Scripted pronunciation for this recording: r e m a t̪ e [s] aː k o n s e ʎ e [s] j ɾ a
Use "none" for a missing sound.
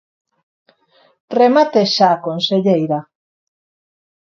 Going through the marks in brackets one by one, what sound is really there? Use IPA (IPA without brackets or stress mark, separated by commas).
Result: ʃ, none